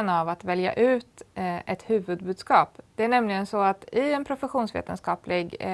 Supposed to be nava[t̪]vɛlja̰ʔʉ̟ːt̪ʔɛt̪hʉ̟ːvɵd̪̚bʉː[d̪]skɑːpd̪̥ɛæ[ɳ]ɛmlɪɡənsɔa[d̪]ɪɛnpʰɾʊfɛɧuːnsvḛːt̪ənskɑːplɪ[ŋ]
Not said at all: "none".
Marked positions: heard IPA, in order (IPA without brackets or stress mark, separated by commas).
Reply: t̪, d̪, ɳ, t̪, ɡ